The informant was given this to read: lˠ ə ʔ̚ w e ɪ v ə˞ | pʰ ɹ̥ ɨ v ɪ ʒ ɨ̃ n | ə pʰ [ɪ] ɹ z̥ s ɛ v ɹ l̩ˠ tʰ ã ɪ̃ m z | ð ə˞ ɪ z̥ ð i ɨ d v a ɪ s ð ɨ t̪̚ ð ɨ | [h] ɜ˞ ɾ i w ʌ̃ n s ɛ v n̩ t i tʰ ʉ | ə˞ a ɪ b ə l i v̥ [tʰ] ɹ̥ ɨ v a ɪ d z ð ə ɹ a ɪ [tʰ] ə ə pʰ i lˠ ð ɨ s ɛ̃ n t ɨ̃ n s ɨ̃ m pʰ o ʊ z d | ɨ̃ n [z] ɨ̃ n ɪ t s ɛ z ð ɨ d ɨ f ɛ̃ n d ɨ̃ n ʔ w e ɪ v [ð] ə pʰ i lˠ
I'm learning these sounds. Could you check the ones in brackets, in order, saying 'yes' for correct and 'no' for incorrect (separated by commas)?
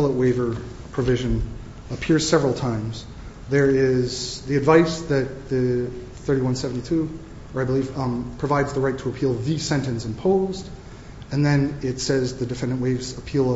yes, no, no, yes, no, no